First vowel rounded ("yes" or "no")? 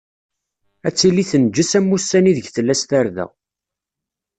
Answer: no